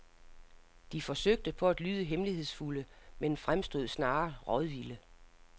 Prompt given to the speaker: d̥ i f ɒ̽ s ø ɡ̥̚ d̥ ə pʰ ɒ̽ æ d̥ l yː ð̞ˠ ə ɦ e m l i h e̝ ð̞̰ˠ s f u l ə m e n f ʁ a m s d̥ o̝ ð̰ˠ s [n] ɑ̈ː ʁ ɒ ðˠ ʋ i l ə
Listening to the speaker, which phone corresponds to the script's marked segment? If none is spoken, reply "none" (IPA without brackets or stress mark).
n